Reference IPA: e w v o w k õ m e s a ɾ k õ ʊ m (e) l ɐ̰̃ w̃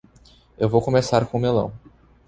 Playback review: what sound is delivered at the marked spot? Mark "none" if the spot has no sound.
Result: e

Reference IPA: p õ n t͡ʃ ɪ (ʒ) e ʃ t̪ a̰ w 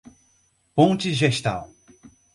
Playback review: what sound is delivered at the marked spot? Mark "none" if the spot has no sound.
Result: ʒ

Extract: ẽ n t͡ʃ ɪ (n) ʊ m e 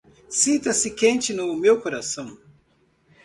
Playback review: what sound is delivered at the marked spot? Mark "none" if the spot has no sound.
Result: n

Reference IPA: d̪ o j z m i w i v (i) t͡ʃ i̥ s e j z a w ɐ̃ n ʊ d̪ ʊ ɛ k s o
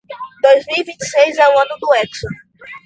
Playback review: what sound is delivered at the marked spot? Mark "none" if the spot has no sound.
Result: ĩ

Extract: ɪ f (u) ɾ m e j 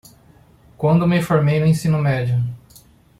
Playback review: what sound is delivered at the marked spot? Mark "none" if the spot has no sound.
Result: o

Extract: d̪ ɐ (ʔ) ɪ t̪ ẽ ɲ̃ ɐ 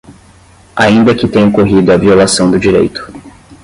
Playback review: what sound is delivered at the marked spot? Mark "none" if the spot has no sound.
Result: k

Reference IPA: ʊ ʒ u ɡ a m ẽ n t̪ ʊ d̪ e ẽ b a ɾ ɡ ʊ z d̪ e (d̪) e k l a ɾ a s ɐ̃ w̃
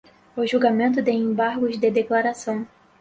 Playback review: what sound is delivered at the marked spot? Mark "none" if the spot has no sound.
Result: d̪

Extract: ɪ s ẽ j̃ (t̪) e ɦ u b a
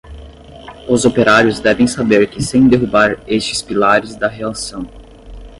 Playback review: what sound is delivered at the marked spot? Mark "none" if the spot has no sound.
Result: d̪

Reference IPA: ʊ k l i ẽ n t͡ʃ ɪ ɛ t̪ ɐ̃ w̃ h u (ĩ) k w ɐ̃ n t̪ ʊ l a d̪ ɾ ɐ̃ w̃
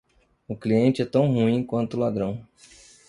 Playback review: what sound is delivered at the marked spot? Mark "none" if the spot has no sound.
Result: ĩ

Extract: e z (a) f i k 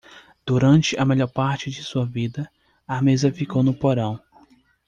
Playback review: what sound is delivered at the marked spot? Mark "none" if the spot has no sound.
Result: ɐ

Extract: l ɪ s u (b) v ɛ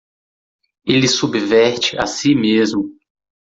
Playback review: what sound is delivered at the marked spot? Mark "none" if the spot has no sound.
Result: b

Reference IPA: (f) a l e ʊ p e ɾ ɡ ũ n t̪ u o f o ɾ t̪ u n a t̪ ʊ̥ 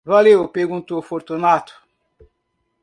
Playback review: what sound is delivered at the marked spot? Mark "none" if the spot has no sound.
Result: v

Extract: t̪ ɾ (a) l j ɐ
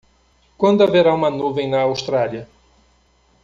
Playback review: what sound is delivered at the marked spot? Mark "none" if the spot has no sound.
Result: a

